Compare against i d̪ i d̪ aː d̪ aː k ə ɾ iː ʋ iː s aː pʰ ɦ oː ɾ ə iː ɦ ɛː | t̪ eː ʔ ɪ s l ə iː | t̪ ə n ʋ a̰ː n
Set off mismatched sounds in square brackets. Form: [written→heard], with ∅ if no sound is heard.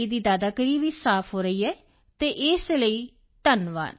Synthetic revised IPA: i d̪ [i→iː] d̪ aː d̪ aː k ə ɾ iː ʋ iː s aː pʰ ɦ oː ɾ ə iː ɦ ɛː | t̪ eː ʔ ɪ s l ə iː | t̪ ə n ʋ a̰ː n